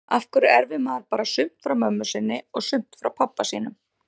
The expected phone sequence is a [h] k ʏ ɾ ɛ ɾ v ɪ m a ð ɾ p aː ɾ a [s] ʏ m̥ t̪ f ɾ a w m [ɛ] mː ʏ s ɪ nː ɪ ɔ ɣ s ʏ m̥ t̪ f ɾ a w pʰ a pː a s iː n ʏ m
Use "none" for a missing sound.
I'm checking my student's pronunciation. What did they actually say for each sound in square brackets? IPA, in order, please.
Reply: f, s, œ

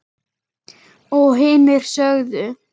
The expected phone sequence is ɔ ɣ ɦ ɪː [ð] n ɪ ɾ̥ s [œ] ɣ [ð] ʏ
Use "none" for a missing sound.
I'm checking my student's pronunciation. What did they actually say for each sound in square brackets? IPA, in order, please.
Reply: none, œ, ð

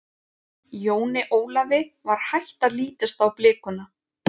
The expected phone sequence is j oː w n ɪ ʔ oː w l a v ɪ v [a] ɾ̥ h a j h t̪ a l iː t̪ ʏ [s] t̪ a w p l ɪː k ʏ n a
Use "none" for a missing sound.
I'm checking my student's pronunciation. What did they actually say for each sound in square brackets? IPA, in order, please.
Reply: a, s

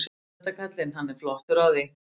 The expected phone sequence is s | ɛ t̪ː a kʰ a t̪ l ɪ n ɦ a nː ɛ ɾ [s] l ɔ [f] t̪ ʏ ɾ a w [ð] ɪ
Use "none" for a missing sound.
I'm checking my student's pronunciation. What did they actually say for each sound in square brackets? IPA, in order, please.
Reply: f, h, ð

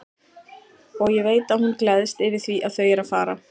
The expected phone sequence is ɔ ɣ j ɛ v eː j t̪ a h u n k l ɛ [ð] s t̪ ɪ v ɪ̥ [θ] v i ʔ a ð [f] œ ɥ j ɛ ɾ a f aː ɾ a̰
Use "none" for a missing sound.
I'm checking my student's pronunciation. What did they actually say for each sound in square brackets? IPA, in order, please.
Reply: ð, θ, θ

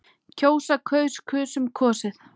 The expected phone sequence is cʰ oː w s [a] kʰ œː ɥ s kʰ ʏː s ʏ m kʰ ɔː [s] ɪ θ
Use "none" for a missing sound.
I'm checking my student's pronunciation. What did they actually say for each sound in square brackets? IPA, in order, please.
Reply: a, s

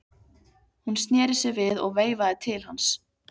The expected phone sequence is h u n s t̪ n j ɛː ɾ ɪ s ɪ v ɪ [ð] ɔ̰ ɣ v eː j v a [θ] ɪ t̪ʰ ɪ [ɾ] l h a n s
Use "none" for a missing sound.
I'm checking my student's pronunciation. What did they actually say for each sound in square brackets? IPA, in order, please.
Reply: ð, ð, none

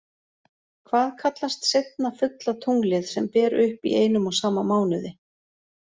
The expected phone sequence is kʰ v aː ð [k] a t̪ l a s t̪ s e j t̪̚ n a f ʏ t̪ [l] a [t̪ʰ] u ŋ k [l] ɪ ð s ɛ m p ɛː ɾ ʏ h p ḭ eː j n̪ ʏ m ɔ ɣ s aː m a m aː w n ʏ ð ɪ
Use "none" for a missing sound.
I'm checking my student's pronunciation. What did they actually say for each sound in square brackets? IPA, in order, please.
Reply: kʰ, l, t̪ʰ, l

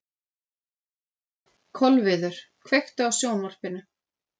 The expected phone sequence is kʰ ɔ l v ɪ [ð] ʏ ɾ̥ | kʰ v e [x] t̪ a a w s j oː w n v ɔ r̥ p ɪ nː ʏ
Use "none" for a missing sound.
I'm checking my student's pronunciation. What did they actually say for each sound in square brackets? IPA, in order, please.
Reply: ð, x

